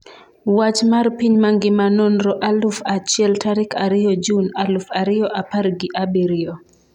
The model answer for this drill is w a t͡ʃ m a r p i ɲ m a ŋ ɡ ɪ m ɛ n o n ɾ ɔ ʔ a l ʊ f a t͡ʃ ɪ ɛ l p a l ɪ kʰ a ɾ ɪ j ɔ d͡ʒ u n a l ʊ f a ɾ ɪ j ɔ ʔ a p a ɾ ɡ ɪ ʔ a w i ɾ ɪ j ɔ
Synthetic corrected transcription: w a t͡ʃ m a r p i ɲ m a ŋ ɡ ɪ m a n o n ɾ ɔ ʔ a l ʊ f a t͡ʃ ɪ ɛ l t a ɾ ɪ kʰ a ɾ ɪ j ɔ d͡ʒ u n a l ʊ f a ɾ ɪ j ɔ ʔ a p a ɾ ɡ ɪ ʔ a b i ɾ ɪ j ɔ